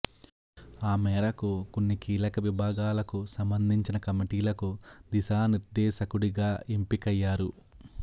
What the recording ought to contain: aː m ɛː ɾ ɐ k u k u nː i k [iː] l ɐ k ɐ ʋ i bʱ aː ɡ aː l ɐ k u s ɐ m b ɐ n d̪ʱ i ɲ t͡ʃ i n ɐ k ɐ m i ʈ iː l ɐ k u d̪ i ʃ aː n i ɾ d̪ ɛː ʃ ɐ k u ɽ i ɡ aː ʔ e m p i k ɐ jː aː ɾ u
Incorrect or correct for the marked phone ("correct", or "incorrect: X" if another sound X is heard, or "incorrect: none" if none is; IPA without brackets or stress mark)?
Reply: correct